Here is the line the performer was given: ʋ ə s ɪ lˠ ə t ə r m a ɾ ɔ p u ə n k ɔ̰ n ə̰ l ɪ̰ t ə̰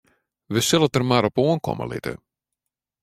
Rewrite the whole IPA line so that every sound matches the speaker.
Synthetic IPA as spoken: ʋ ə s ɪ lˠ ə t ə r m a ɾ ɔ p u ə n k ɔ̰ m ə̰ l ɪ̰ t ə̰